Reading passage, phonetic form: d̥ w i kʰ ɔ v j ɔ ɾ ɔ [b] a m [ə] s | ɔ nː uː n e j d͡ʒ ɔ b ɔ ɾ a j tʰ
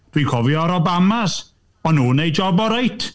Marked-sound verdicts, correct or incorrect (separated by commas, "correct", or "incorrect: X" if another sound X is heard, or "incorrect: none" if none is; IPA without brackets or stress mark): correct, incorrect: a